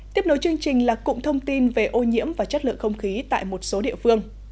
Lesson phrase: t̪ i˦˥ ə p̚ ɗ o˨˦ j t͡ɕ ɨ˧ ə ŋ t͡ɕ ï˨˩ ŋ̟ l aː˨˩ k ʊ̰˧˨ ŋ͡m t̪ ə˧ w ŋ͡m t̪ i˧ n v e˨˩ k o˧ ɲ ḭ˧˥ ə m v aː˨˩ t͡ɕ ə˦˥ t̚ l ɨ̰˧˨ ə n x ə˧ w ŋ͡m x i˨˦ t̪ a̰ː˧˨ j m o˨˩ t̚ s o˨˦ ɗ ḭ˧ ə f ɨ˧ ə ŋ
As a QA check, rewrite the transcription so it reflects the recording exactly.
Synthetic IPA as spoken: t̪ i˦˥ ə p̚ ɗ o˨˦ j t͡ɕ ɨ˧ ə ŋ t͡ɕ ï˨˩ ŋ̟ l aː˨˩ k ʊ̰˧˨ ŋ͡m t̪ʰ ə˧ w ŋ͡m t̪ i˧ n v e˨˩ ʔ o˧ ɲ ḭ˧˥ ə m v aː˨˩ t͡ɕ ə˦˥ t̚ l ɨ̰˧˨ ə ŋ x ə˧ w ŋ͡m x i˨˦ t̪ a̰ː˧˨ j m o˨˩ t̚ s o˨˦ ɗ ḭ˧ ə f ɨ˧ ə ŋ